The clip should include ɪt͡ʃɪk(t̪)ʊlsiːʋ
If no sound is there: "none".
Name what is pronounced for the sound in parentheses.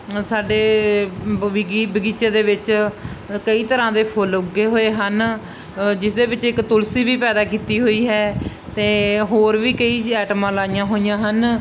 t̪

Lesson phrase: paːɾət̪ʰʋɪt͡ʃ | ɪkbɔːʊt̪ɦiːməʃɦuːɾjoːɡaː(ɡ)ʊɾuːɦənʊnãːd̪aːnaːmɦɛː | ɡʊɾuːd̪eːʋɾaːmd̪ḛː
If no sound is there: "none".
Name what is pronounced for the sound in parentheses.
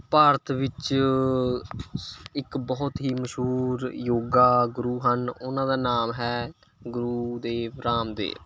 ɡ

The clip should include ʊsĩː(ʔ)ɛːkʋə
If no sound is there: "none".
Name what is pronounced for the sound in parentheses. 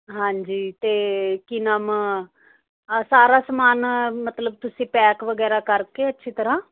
p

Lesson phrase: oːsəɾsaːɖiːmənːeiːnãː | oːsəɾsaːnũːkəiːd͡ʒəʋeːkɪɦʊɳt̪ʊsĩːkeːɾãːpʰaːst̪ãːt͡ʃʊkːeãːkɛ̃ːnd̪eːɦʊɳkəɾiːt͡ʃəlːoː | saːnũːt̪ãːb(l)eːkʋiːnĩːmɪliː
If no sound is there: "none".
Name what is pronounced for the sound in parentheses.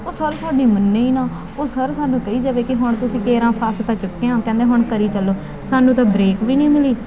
ɾ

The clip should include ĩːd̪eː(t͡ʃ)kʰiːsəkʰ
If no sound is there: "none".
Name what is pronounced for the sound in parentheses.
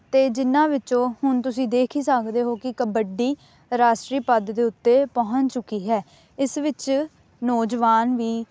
none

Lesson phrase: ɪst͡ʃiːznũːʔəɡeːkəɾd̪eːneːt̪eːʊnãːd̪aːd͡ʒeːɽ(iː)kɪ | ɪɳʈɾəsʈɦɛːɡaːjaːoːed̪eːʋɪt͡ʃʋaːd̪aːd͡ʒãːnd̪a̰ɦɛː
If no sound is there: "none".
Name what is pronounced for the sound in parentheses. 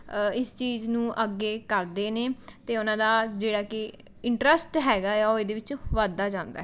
aː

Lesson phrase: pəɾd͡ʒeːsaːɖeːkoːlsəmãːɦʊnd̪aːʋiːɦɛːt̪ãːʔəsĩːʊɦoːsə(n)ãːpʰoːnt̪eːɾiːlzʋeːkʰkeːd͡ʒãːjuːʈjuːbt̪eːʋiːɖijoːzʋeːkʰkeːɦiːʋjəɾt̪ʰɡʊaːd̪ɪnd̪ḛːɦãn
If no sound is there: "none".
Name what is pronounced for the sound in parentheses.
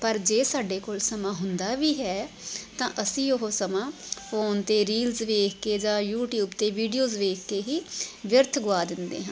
m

